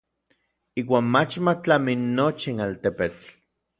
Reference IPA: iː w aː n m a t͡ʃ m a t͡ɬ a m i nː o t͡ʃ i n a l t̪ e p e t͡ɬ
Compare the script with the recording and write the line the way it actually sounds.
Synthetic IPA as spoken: iː w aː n m a t͡ʃ m a t͡ɬ a m i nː o t͡ʃ i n a l t̪ e p e t͡ɬ